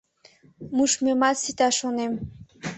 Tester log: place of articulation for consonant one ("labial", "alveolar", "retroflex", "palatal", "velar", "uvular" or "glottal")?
labial